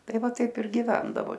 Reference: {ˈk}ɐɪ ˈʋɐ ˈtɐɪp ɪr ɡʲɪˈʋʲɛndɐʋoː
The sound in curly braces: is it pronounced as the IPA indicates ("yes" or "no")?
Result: no